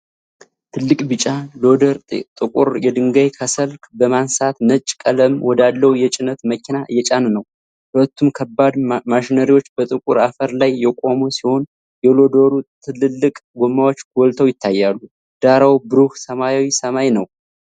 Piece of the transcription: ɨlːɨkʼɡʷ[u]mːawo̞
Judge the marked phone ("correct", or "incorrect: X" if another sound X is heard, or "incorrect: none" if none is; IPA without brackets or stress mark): incorrect: o